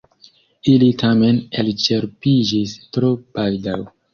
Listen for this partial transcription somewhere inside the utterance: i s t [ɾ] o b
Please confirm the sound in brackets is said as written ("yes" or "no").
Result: yes